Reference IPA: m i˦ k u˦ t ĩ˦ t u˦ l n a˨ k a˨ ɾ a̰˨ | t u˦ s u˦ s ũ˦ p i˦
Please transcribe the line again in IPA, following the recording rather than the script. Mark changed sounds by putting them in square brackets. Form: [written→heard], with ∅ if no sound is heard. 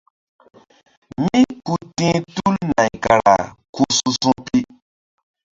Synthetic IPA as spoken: m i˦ k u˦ t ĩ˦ t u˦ l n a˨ k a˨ ɾ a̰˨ | [t→k] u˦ s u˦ s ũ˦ p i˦